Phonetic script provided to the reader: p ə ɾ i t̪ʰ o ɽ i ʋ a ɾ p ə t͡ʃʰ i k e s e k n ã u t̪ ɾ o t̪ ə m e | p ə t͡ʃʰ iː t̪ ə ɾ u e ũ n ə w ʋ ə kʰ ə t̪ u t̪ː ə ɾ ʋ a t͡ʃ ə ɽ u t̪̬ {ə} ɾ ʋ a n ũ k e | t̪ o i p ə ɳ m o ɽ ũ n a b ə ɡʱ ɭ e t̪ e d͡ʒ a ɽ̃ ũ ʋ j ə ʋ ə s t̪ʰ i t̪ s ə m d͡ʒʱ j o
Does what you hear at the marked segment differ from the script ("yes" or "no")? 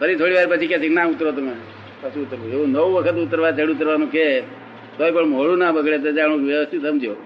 no